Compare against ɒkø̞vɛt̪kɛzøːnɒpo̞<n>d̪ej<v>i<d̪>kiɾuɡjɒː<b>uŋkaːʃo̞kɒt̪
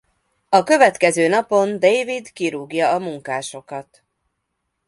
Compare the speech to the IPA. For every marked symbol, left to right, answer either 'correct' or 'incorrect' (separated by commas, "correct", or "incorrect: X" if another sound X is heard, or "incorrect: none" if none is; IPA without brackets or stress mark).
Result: correct, correct, correct, incorrect: m